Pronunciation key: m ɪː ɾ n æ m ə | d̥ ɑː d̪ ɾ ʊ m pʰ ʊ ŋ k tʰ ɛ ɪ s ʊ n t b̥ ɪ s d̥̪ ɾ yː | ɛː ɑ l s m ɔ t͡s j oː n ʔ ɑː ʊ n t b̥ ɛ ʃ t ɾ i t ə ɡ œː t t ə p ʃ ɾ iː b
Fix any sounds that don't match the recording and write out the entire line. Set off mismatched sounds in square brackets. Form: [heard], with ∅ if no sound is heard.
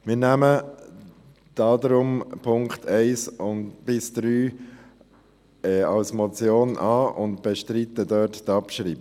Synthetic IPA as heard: m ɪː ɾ n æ m ə | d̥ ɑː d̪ ɾ ʊ m pʰ ʊ ŋ k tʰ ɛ ɪ s ʊ n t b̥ ɪ s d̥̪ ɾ yː | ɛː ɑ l s m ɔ t͡s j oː n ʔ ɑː ʊ n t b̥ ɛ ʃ t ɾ i t ə [d] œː t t [ɑ] p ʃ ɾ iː b

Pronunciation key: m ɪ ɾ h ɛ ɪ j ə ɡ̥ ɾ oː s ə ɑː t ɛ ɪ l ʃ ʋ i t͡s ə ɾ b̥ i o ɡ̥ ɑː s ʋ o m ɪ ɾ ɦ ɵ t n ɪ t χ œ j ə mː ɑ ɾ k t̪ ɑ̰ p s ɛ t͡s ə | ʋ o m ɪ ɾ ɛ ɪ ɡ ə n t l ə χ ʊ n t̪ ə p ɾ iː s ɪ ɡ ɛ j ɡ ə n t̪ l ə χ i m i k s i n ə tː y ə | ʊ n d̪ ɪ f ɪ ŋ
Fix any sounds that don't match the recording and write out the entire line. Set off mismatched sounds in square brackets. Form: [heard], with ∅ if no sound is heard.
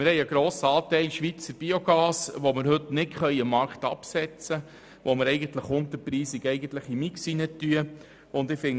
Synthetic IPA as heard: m ɪ ɾ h ɛ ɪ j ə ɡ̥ ɾ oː s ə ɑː t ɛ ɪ l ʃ ʋ i t͡s ə ɾ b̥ i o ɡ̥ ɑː s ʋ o m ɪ ɾ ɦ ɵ t n ɪ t χ œ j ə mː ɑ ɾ k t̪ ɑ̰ p s ɛ t͡s ə | ʋ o m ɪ ɾ ɛ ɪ ɡ ə n t l ə χ ʊ n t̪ ə p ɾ iː s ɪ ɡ ɛ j ɡ ə n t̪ l ə χ i m i k s i n ə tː y ə | ʊ n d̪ ɪ f ɪ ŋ

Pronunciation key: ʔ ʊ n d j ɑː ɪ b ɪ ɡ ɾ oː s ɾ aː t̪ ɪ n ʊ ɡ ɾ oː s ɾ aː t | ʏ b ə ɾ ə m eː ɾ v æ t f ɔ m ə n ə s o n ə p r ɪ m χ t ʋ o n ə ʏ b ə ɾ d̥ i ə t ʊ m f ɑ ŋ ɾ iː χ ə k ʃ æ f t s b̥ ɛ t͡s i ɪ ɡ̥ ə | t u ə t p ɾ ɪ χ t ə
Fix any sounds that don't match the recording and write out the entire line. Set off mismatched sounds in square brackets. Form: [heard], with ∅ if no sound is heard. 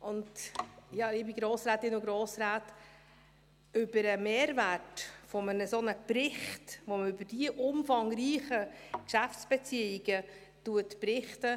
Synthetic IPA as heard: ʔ ʊ n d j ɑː ɪ b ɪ ɡ ɾ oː s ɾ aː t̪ ɪ n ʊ ɡ ɾ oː s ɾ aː t | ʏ b ə ɾ ə m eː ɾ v æ t f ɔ m ə n ə s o n ə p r ɪ [∅] χ t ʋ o [m] ə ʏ b ə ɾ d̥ i ə [ʔ] ʊ m f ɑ ŋ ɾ iː χ ə k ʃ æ f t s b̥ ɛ t͡s i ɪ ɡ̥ ə | t u ə t p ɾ ɪ χ t ə

